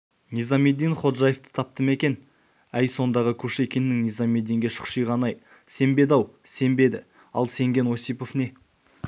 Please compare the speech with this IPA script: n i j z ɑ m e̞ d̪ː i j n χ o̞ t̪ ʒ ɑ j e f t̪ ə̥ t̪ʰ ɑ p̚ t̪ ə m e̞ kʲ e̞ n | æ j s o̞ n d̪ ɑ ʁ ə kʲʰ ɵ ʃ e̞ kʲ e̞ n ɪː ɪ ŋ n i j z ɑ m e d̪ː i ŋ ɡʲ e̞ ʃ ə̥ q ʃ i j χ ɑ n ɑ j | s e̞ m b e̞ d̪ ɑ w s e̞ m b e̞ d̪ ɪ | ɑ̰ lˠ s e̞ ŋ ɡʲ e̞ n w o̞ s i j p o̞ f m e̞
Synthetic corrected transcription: n i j z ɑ m e̞ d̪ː i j n χ o̞ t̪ ʒ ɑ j e f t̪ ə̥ t̪ʰ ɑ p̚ t̪ ə m e̞ kʲ e̞ n | æ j s o̞ n d̪ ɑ ʁ ə kʲʰ ɵ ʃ e̞ kʲ e̞ n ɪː ɪ ŋ n i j z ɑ m e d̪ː i ŋ ɡʲ e̞ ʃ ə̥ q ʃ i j ʁ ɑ n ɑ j | s e̞ m b e̞ d̪ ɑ w s e̞ m b e̞ d̪ ɪ | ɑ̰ lˠ s e̞ ŋ ɡʲ e̞ n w o̞ s i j p o̞ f n e̞